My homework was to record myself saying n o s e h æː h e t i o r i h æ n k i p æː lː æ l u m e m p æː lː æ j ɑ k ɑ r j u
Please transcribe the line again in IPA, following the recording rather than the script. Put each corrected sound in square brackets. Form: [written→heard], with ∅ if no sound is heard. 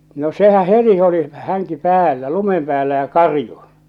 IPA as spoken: n o s e h [æː→æ] h e t i o [r→l] i h æ [n→ŋ] k i p æː lː æ l u m e m p æː lː æ j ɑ k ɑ r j u